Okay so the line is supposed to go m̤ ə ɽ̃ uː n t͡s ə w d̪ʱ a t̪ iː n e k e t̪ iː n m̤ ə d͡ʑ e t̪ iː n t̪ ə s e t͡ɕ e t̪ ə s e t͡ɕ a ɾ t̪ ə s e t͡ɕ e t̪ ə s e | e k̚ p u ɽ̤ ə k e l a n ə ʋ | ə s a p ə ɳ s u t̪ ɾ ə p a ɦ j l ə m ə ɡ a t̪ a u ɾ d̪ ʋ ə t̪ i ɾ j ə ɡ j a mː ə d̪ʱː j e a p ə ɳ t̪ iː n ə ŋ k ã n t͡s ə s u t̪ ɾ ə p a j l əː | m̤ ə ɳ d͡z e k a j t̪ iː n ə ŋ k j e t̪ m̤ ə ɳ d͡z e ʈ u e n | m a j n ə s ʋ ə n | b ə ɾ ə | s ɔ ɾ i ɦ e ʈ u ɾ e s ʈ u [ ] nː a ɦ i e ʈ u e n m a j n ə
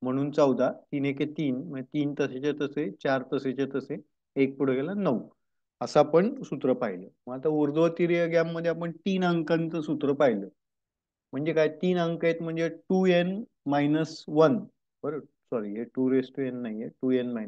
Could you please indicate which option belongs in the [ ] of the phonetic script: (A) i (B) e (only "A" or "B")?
B